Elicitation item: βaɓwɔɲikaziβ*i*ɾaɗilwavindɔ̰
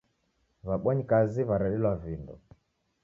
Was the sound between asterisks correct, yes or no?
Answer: no